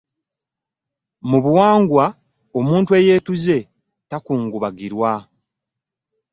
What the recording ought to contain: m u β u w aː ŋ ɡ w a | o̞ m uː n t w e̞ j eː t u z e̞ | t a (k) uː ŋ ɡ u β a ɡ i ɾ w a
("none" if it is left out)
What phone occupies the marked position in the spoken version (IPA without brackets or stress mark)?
k